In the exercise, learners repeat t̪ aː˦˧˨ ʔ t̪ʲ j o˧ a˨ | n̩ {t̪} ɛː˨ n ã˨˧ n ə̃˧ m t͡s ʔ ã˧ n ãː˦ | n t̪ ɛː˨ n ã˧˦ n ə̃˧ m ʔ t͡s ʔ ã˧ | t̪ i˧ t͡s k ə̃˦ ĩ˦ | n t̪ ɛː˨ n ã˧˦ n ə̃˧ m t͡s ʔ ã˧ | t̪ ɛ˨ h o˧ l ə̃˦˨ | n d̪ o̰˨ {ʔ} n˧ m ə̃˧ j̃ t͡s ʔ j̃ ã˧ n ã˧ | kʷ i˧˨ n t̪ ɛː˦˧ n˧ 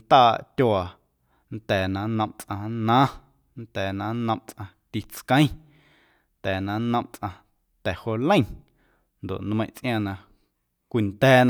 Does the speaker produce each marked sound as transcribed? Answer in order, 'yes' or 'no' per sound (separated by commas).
yes, yes